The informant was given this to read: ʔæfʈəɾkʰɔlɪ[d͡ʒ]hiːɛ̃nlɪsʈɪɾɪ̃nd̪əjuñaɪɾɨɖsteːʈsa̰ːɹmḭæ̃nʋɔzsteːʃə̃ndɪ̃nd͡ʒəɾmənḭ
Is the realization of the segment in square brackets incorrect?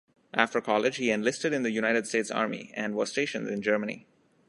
no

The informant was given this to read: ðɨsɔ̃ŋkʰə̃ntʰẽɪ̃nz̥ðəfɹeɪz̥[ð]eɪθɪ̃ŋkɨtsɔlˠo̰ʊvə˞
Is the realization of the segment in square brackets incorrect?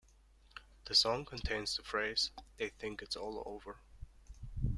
no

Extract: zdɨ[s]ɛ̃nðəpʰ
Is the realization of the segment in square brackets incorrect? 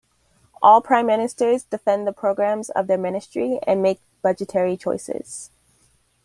yes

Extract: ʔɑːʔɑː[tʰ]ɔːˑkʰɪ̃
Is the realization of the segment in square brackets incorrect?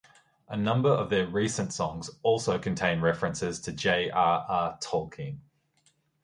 no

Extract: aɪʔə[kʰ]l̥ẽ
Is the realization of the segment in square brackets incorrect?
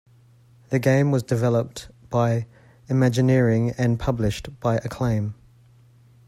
no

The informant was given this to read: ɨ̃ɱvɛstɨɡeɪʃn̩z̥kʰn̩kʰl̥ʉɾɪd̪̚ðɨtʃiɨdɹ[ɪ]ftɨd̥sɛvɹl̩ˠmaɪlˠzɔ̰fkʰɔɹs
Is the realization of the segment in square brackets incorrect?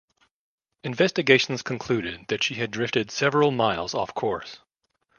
no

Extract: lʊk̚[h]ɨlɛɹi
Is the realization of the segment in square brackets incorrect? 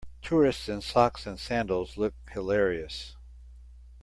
no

